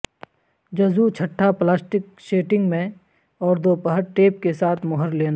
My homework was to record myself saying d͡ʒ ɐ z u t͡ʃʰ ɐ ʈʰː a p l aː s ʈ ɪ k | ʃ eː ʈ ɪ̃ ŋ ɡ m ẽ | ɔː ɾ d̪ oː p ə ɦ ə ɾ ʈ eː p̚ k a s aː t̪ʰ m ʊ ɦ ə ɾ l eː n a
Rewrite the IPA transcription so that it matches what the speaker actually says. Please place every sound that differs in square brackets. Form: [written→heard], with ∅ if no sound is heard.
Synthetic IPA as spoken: d͡ʒ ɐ z u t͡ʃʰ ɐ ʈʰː a p l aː s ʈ ɪ k | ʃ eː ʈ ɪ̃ ŋ ɡ m ẽ | ɔː ɾ d̪ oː p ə ɦ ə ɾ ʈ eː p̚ k [a→e] s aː t̪ʰ m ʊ ɦ ə ɾ l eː n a